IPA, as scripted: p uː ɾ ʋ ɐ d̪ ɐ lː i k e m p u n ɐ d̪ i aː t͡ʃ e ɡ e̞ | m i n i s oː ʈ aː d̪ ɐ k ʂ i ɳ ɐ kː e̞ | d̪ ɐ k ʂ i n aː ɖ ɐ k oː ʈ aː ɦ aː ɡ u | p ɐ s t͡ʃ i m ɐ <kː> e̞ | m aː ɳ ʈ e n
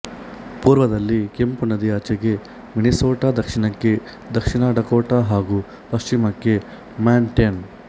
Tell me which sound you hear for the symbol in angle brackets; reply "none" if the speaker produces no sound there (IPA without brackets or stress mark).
kː